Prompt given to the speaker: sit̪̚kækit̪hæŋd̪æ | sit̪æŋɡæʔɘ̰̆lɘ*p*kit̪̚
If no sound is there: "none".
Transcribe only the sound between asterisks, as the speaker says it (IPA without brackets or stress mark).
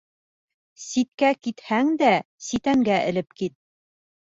p